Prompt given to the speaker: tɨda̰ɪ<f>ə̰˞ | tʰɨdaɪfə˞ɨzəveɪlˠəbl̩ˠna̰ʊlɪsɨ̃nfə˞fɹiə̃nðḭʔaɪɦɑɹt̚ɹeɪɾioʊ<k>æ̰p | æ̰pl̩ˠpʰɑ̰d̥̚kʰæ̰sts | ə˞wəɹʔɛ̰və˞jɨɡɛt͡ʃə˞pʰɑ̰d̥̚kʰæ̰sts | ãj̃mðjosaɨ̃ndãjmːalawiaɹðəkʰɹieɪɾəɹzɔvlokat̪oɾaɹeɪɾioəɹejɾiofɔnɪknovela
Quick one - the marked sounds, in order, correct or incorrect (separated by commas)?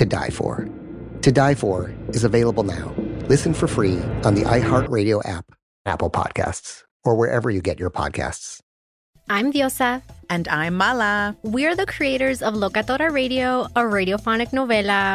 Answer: correct, incorrect